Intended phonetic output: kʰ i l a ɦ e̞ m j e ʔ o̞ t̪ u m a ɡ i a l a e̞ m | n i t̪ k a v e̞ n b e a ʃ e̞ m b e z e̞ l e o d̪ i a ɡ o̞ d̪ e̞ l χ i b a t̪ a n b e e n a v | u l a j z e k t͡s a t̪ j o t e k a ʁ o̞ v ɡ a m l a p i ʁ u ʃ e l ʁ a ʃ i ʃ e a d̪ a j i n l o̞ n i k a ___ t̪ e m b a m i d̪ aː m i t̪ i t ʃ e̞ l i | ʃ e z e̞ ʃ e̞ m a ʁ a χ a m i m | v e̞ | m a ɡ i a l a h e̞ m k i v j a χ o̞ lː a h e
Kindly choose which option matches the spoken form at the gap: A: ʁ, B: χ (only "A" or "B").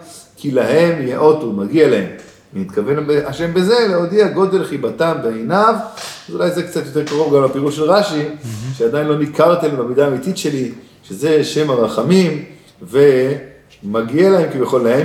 A